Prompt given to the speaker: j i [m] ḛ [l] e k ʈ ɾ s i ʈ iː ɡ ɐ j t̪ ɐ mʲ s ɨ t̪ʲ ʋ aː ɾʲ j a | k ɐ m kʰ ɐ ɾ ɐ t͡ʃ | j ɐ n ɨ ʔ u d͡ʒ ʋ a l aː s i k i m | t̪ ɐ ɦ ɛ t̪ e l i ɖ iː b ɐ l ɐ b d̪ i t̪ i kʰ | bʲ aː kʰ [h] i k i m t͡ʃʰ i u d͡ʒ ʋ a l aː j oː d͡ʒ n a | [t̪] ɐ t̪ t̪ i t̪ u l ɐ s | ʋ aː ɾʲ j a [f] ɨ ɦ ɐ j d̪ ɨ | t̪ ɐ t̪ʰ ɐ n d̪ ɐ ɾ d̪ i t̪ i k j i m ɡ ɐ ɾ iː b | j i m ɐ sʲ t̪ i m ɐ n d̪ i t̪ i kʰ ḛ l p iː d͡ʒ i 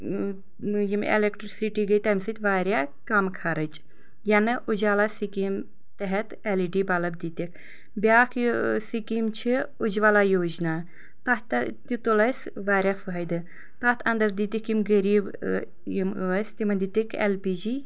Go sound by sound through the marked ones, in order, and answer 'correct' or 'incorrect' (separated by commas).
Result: correct, correct, incorrect, correct, correct